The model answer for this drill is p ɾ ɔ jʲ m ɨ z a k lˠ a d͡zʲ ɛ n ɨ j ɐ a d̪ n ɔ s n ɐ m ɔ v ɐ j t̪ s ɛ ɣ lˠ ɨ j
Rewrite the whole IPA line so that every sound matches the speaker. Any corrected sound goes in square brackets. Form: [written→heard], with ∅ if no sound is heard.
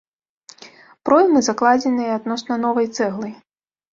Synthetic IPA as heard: p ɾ ɔ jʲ m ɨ z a k lˠ a d͡zʲ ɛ n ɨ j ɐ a d̪ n ɔ s n ɐ [m→n] ɔ v ɐ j t̪ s ɛ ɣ lˠ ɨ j